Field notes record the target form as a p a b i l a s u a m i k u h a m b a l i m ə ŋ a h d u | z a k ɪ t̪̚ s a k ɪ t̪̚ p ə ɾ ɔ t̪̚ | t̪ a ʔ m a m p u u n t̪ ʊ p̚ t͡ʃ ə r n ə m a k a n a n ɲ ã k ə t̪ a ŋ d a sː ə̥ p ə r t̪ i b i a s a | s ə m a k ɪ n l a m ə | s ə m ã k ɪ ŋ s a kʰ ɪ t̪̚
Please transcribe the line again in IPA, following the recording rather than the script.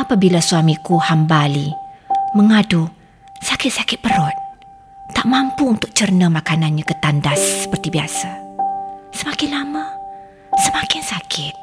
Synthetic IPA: a p a b i l a s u a m i k u h a m b a l i m ə ŋ a d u | s a k ɪ t̪̚ s a k ɪ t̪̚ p ə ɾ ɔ t̪̚ | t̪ a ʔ m a m p u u n t̪ ʊ k̚ t͡ʃ ə r n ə m a k a n a n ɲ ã k ə t̪ a n d a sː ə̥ p ə r t̪ i b i a s a | s ə m a k ɪ n l a m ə | s ə m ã k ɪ n s a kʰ ɪ t̪̚